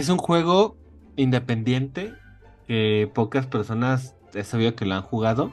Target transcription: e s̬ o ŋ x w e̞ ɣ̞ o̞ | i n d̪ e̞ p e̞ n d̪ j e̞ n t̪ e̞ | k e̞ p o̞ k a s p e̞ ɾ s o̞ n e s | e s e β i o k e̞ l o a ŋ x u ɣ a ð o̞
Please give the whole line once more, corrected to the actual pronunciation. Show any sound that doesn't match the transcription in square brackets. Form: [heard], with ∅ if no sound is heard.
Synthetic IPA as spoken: e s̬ [u] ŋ x w e̞ ɣ̞ o̞ | i n d̪ e̞ p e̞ n d̪ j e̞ n t̪ e̞ | k e̞ p o̞ k a s p e̞ ɾ s o̞ n [a] s | e s [a] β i o k e̞ l o a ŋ x u ɣ a ð o̞